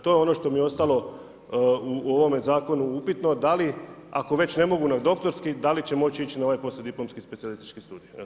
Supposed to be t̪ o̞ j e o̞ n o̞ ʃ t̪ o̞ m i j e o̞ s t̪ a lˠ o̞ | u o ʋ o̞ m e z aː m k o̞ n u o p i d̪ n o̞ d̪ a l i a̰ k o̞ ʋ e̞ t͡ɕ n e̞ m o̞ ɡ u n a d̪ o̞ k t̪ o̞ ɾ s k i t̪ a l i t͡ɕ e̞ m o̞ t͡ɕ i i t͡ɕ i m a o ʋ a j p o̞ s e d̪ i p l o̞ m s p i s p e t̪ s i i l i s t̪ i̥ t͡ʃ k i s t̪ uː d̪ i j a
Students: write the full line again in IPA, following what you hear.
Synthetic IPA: t̪ o̞ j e o̞ n o̞ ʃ t̪ o̞ m i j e o̞ s t̪ a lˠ o̞ | u o ʋ o̞ m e z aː k o̞ n u u p i t̪ n o̞ d̪ a l i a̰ k o̞ ʋ e̞ t͡ɕ n e̞ m o̞ ɡ u n a d̪ o̞ k t̪ o̞ ɾ s k i d̪ a l i t͡ɕ e̞ m o̞ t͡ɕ i i t͡ɕ i n a o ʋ a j p o̞ s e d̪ i p l o̞ m s k i s p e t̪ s i a l i s t̪ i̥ t͡ʃ k i s t̪ uː d̪ i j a